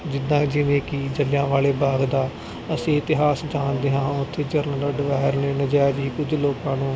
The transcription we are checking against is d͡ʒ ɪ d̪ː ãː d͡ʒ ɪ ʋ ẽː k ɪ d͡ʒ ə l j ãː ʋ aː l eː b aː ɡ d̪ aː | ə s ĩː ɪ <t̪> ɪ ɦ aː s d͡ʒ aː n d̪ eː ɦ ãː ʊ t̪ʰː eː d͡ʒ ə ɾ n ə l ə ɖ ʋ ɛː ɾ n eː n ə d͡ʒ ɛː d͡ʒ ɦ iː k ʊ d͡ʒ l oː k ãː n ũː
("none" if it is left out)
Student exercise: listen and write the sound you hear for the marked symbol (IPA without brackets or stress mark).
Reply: t̪